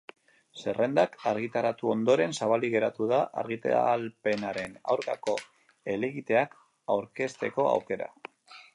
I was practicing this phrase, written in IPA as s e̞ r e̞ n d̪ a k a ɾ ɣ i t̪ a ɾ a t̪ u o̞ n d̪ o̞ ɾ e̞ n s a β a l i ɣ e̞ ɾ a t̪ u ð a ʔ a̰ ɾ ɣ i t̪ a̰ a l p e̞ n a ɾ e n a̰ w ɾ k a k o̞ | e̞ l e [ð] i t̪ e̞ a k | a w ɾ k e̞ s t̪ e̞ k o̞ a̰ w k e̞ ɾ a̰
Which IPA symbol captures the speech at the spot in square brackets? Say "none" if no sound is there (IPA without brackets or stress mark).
ɣ